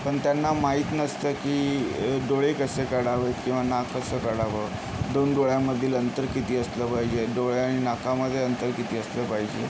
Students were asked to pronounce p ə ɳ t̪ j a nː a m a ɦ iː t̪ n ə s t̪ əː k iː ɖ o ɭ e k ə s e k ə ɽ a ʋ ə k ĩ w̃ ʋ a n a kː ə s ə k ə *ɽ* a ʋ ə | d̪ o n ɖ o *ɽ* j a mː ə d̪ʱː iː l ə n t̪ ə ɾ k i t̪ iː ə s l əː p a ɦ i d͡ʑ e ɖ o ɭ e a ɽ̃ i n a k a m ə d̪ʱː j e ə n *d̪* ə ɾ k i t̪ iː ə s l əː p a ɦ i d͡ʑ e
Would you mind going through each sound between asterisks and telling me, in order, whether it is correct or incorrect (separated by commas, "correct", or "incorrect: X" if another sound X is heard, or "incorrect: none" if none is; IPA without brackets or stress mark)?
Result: correct, incorrect: ɭ, incorrect: t̪